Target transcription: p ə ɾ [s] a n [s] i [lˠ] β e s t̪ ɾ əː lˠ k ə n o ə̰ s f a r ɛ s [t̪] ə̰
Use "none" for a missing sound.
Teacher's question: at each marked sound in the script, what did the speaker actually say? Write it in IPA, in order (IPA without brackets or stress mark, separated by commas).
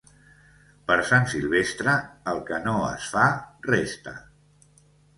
s, s, lˠ, t̪